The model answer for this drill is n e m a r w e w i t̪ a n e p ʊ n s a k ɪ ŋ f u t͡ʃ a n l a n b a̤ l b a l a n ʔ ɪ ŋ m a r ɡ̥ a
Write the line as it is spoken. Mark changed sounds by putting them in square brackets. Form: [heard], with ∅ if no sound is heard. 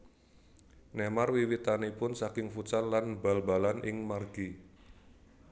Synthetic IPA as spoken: n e m a r w [i] w i t̪ a n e p ʊ n s a k ɪ ŋ f u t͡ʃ a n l a n b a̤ l b a l a n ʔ ɪ ŋ m a r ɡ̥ [i]

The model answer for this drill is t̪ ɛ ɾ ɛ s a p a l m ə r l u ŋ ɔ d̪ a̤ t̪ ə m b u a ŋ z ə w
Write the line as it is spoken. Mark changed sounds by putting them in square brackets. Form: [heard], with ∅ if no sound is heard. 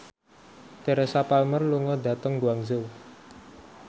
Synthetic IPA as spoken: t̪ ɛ ɾ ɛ s a p a l m ə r l u ŋ ɔ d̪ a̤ t̪ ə [ŋ] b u a ŋ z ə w

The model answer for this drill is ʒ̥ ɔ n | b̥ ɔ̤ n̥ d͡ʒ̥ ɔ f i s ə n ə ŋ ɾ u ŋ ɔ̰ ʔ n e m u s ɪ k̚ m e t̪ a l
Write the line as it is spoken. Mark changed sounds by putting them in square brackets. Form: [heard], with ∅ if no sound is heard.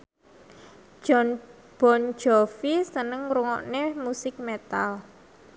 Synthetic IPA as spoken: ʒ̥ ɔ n | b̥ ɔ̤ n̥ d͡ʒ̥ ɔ f i s ə n ə ŋ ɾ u ŋ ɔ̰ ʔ n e m u s ɪ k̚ m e t̪ a l

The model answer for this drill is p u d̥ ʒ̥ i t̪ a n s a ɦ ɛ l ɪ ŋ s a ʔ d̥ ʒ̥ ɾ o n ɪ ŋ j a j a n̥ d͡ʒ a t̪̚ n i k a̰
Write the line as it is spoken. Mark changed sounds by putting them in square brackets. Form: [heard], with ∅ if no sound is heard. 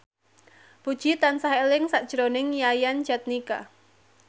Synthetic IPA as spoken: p u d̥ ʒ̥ i t̪ a n s a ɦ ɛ l ɪ ŋ s a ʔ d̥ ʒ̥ ɾ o n ɪ ŋ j a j a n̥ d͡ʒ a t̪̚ n i k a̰

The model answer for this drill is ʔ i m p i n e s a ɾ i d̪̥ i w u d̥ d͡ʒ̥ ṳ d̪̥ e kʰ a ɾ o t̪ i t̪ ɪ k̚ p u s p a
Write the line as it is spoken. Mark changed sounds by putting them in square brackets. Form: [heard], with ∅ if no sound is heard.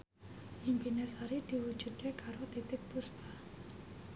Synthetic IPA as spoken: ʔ i m p i n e s a ɾ i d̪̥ i w u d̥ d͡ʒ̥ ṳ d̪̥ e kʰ a ɾ o t̪ i t̪ ɪ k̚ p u s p a

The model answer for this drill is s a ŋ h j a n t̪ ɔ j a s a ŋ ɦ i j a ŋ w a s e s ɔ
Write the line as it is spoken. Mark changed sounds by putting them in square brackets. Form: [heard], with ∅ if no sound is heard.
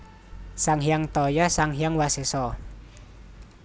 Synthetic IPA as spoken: s a ŋ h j a [ŋ] t̪ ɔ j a s a ŋ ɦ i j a ŋ w a s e s ɔ

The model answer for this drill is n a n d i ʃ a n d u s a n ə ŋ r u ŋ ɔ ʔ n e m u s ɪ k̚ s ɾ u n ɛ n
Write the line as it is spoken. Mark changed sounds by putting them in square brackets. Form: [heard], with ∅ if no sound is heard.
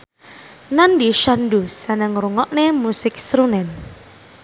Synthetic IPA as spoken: n a n d i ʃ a n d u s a n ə ŋ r u ŋ ɔ ʔ n e m u s ɪ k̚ s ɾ u n ɛ n

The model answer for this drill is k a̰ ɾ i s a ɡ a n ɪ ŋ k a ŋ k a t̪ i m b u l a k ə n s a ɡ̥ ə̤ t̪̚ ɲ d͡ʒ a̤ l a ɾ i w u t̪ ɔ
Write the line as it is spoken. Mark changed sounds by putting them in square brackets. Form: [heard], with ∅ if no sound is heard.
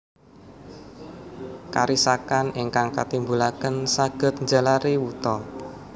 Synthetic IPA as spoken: k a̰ ɾ i s a [k] a n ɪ ŋ k a ŋ k a t̪ i m b u l a k ə n s a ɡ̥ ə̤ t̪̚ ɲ d͡ʒ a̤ l a ɾ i w u t̪ ɔ

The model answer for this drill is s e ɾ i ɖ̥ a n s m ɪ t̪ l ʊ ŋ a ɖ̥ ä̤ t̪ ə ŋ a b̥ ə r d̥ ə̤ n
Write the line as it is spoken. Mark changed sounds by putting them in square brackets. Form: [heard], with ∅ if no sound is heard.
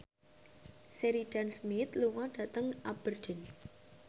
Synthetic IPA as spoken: s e ɾ i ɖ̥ a n s m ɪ t̪ l [u] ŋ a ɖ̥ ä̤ t̪ ə ŋ a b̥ ə r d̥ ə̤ n

